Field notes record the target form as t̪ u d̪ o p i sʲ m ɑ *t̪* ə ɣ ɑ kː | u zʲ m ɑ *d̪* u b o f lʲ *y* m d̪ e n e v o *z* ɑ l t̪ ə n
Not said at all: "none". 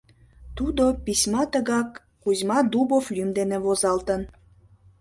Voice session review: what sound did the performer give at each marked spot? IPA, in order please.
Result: t̪, d̪, y, z

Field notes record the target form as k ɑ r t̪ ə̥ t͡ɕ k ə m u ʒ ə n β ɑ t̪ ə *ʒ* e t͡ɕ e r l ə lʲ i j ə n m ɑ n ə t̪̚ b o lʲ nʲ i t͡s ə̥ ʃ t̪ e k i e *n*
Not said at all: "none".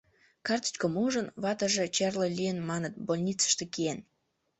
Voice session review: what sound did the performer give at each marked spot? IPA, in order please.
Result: ʒ, n

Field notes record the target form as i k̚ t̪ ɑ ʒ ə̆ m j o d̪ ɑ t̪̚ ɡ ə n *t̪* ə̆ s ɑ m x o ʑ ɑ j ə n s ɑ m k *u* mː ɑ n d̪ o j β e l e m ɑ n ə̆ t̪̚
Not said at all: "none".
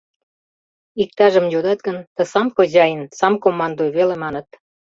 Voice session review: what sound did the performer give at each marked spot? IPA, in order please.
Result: t̪, o

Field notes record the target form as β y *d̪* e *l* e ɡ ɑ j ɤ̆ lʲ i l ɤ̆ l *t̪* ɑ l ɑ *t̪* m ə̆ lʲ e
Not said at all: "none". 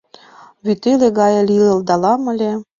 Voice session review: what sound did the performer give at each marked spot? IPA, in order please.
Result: t̪, l, d̪, none

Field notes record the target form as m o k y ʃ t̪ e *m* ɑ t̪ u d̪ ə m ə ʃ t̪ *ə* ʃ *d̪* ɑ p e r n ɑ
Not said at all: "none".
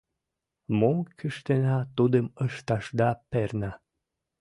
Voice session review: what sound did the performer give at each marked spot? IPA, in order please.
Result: n, ɑ, d̪

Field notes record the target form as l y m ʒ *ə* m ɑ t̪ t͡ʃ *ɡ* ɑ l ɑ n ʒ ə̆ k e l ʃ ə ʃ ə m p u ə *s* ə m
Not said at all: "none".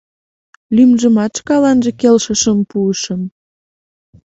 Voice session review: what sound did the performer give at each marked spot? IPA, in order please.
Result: ə, k, ʃ

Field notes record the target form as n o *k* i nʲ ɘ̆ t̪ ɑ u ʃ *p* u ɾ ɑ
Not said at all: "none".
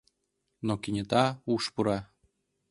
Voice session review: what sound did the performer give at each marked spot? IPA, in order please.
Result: k, p

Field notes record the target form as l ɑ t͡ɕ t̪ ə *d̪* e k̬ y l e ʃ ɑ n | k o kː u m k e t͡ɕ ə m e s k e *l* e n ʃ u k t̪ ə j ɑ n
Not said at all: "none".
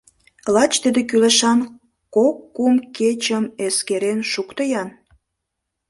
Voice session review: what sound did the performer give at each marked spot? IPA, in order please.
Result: d̪, ɾ

